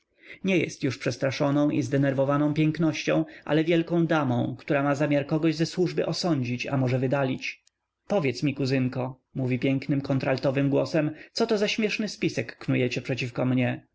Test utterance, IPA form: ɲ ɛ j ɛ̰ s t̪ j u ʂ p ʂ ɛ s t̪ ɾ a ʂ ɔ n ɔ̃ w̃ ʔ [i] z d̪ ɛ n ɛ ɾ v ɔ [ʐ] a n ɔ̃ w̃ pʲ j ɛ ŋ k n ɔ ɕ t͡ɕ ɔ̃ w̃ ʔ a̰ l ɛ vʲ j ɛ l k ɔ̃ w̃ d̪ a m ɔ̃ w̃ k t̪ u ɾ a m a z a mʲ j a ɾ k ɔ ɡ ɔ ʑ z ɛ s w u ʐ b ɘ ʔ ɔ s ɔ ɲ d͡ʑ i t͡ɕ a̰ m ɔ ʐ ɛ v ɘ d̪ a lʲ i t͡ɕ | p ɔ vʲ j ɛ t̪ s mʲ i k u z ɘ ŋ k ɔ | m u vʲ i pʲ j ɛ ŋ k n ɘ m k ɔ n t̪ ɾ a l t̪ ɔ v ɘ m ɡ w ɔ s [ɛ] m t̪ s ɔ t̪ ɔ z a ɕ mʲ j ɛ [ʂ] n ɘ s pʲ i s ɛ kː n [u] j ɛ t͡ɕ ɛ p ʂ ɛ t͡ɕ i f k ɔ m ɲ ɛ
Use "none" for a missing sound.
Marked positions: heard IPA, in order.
i, v, ɛ, ʂ, u

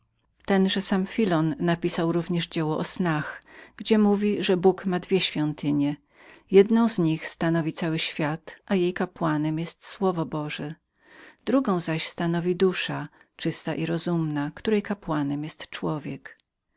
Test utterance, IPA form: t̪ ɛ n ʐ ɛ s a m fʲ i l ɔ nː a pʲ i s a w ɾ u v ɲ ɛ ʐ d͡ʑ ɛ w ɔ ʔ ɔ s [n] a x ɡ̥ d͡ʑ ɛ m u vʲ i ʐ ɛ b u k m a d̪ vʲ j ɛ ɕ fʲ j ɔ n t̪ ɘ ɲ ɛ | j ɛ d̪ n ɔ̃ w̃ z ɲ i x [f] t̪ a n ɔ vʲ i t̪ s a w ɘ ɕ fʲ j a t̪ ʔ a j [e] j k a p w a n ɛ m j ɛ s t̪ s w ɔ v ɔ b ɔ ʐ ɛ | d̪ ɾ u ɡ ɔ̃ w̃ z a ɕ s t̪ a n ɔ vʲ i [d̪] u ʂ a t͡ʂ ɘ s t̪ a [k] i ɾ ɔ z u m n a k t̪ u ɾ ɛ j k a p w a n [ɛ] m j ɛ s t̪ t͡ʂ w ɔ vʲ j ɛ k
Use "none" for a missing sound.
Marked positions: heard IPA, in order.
n, s, e, d̪, ʔ, ɛ

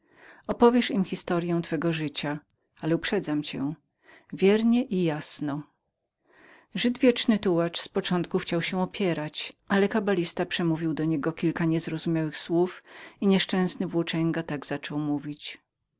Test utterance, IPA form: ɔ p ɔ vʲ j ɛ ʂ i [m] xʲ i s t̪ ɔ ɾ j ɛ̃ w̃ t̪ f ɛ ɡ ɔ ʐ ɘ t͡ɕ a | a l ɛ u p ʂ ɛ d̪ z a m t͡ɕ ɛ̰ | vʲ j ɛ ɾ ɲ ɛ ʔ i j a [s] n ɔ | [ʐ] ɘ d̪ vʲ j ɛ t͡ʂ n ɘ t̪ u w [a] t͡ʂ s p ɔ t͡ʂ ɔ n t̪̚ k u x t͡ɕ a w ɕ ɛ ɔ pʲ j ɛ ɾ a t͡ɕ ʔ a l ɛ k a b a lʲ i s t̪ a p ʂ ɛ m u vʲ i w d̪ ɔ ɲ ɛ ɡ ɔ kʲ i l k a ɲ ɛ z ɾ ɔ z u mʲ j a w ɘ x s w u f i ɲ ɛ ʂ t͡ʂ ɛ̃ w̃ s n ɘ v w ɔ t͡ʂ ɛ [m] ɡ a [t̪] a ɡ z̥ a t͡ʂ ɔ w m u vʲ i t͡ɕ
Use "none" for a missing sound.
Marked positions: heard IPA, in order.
m, s, ʐ, a, ŋ, t̪

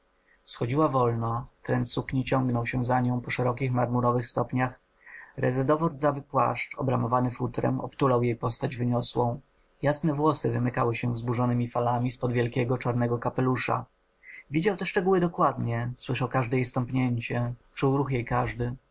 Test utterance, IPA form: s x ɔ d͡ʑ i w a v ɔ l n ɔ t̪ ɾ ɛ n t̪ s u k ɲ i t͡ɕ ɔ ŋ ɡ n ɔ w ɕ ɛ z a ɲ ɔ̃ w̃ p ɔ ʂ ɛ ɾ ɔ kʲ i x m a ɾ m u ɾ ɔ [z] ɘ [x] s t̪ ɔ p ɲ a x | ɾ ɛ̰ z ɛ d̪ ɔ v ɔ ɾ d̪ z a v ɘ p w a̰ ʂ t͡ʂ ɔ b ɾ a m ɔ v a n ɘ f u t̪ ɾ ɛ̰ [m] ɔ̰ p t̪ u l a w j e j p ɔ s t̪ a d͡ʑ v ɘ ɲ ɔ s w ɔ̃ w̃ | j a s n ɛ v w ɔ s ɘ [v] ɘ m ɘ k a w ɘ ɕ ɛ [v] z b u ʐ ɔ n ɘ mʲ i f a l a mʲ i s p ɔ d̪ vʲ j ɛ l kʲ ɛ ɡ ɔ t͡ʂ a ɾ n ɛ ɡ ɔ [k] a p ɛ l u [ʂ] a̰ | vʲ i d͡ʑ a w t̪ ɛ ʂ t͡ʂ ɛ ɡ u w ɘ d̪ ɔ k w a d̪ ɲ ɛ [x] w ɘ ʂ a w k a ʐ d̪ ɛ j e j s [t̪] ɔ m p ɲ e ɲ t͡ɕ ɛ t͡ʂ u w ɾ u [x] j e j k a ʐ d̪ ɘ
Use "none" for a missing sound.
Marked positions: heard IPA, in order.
v, x, m, v, v, k, ʂ, s, t̪, x

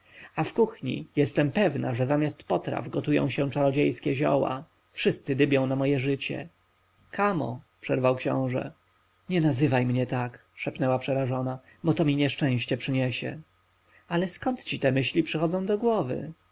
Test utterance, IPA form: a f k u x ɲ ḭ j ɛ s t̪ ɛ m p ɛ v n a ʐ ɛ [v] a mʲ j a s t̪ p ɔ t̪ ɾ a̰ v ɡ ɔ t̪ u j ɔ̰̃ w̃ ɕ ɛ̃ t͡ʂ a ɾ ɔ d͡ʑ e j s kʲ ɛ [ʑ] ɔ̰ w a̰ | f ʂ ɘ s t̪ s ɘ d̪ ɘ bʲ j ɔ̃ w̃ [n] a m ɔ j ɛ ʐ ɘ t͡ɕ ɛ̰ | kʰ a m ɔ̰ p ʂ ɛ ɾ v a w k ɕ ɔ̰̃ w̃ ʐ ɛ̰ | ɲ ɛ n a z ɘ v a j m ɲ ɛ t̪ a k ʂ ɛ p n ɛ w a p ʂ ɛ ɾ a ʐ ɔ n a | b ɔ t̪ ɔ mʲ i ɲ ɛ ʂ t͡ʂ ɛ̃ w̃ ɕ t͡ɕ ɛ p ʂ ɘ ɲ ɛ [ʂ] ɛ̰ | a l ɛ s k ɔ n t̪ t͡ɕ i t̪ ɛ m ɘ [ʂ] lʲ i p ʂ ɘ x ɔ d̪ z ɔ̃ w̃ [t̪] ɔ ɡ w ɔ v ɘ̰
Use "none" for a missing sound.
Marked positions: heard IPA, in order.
z, ʑ, n, ɕ, ɕ, d̪

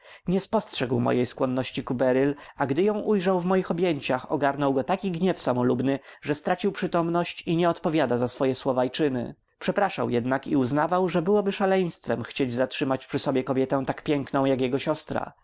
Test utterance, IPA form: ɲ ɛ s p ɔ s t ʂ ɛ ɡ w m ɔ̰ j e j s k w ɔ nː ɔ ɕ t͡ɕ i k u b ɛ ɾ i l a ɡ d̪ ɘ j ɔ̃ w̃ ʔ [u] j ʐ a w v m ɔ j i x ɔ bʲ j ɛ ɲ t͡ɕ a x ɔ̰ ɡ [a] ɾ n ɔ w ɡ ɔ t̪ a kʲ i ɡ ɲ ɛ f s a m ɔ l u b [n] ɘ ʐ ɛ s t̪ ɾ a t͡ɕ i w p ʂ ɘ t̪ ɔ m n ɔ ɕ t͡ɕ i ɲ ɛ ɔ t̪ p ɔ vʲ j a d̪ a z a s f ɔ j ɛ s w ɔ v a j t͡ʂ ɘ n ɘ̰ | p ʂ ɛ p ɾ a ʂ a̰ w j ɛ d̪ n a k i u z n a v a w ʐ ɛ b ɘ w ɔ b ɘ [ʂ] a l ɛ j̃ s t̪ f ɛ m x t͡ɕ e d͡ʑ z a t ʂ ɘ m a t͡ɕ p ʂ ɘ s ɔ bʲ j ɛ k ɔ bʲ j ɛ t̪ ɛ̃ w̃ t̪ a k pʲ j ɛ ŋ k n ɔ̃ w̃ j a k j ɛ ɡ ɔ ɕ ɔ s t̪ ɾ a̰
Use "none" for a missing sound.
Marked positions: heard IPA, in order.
u, a, n, ʂ

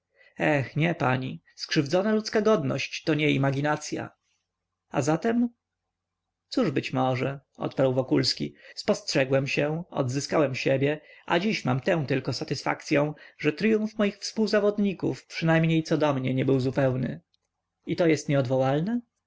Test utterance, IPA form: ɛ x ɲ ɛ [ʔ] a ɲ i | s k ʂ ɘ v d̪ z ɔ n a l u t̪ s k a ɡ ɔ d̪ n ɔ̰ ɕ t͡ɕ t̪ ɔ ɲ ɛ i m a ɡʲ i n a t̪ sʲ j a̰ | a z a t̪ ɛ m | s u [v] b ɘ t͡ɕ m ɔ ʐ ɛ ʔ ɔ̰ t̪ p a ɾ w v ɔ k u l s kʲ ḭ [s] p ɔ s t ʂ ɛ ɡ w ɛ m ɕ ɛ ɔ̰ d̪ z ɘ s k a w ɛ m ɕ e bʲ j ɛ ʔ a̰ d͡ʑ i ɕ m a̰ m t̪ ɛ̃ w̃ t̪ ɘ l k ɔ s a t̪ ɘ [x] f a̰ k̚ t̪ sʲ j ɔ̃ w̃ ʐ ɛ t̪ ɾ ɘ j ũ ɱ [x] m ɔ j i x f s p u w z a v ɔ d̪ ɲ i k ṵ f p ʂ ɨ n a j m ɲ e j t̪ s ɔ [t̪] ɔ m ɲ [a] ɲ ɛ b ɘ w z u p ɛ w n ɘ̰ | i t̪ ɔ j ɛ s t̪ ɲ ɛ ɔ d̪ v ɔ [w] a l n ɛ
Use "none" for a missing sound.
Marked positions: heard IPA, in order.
p, ʐ, s, s, f, d̪, ɛ, w

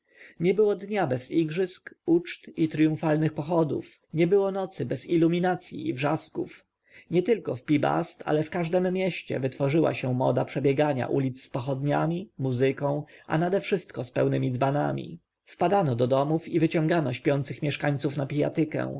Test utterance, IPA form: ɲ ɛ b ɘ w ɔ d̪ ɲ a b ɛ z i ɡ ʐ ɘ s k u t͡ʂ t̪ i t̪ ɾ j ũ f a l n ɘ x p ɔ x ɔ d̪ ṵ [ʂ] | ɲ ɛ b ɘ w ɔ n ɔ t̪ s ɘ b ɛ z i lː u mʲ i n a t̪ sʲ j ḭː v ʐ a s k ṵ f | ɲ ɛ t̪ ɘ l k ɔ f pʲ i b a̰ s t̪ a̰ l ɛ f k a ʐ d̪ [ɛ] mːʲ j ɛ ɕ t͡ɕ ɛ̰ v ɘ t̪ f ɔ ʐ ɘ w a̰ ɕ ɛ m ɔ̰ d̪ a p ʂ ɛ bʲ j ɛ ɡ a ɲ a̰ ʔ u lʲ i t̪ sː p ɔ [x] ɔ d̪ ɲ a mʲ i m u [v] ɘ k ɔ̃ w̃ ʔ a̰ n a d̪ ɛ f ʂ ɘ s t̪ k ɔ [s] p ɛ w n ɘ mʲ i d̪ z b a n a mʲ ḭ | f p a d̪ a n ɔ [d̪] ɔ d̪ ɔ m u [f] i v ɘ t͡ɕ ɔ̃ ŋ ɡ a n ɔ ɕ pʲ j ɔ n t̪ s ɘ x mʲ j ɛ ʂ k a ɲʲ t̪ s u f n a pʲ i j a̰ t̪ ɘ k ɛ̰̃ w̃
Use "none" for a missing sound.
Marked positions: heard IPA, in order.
f, ɛ, x, z, s, d̪, f

